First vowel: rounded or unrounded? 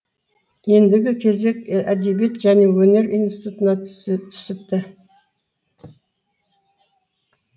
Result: unrounded